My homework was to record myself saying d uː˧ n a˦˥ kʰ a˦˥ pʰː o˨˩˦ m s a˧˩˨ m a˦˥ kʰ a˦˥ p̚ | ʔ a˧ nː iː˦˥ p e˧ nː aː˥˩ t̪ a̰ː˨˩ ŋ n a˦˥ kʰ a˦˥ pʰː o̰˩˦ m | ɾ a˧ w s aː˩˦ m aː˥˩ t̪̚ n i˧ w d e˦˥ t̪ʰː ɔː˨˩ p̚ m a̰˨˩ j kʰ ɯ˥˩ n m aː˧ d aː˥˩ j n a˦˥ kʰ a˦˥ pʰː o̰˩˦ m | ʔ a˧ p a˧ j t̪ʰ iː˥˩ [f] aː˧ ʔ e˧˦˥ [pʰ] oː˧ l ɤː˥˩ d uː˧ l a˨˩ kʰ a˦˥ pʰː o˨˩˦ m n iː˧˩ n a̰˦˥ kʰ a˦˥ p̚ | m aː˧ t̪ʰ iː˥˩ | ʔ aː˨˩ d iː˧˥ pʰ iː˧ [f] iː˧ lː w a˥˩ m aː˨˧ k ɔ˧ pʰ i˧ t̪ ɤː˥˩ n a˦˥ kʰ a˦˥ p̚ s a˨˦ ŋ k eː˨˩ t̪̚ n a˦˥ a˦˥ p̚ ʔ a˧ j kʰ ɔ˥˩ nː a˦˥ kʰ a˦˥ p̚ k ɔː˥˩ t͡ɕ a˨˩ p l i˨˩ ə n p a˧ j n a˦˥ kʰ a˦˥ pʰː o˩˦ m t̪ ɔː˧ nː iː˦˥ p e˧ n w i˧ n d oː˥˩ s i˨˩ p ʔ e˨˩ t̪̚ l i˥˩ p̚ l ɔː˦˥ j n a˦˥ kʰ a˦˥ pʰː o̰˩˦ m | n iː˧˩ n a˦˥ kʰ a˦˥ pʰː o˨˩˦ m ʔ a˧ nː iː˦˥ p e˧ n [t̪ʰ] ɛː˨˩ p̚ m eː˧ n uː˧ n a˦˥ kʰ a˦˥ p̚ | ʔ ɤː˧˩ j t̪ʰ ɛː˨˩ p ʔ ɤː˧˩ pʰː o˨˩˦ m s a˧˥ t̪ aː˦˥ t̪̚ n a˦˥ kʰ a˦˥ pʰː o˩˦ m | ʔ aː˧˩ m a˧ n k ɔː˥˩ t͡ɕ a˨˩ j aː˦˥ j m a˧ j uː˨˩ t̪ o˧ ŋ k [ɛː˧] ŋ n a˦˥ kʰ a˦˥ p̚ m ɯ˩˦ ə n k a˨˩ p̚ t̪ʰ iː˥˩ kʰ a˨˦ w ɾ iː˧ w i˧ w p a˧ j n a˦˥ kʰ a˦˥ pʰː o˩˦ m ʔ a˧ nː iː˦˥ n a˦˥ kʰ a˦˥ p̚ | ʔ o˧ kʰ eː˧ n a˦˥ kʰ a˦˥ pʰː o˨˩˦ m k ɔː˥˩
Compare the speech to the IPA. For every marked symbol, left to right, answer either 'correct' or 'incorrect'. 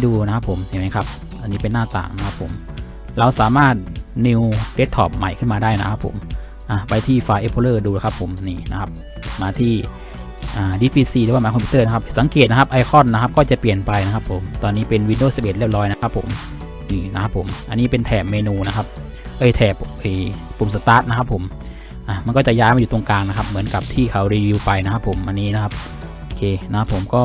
correct, correct, incorrect, correct, incorrect

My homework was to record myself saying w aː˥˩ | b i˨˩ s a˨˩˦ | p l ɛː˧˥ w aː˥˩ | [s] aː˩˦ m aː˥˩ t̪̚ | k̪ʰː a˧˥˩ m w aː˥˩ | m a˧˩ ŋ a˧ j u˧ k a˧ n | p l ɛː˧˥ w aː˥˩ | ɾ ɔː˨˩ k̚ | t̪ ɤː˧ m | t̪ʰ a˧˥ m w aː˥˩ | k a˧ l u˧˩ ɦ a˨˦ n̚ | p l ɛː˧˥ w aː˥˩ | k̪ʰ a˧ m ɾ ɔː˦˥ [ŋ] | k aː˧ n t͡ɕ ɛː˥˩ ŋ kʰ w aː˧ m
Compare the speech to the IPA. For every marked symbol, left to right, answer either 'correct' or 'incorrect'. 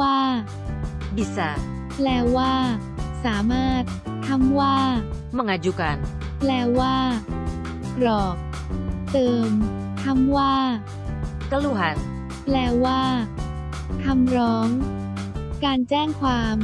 correct, correct

